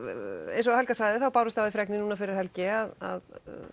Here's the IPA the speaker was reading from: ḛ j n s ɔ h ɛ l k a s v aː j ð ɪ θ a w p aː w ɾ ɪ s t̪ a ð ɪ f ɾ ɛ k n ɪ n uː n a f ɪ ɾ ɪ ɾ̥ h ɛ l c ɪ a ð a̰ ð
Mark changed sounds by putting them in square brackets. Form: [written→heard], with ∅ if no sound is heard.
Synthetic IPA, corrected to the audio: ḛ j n s ɔ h ɛ l k a s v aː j ð ɪ θ a w p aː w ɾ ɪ s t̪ a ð ɪ f ɾ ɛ k n ɪ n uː n a f ɪ ɾ ɪ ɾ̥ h ɛ l c ɪ a ð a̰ ð